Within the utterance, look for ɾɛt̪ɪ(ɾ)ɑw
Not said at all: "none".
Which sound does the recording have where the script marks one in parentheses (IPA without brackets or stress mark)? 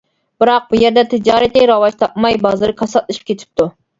ɾ